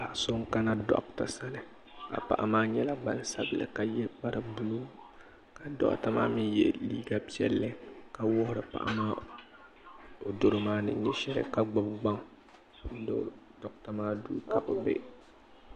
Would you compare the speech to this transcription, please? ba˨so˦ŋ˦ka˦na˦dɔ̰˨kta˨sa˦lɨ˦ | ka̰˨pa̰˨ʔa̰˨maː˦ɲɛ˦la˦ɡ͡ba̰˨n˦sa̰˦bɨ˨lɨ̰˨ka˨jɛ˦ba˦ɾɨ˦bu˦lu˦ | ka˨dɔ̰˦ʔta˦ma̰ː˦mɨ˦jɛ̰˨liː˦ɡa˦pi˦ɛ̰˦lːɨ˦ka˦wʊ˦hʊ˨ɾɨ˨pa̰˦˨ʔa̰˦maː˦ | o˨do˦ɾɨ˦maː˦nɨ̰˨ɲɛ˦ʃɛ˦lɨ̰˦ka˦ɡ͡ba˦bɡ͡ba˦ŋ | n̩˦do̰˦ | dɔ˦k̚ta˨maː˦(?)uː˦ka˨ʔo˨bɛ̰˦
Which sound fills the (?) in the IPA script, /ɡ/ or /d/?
d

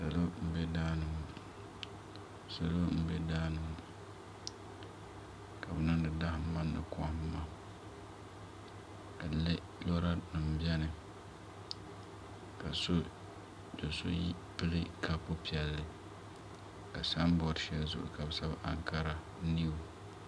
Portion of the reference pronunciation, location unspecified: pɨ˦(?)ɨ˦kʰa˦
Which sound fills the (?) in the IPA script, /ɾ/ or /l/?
l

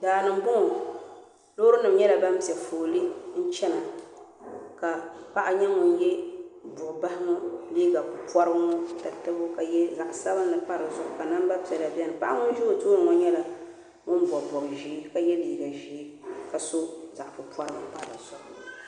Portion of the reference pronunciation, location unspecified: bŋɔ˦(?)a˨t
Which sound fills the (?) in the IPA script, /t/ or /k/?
t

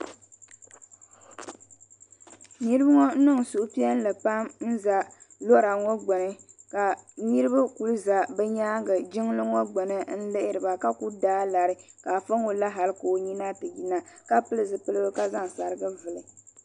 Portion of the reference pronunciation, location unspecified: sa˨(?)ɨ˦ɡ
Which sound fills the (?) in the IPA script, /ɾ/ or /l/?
ɾ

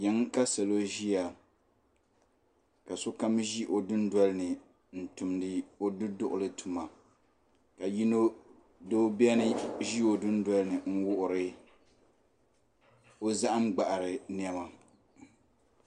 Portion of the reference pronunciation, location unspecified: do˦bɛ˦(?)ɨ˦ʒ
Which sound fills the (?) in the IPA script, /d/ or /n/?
n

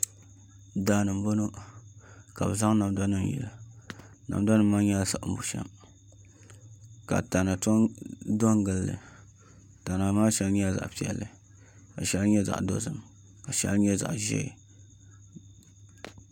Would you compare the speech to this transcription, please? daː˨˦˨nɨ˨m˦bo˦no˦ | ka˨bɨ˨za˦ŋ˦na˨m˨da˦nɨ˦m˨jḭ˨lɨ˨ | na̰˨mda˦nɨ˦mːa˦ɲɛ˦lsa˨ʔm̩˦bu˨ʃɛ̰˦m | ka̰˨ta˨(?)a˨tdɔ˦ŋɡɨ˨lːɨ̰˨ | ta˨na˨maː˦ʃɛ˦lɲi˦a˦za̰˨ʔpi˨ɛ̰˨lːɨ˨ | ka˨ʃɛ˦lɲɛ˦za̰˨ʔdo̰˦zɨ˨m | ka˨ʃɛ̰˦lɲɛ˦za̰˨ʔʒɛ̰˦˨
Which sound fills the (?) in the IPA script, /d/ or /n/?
n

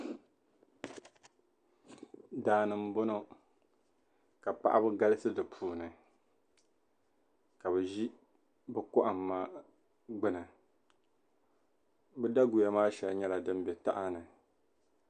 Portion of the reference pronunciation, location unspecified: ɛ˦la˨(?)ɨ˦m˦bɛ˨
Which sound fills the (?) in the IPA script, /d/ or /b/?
d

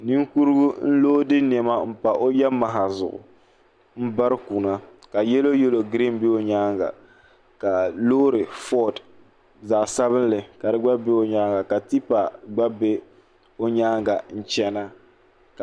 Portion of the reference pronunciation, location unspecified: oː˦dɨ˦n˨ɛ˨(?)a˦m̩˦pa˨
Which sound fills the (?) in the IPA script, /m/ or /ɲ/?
m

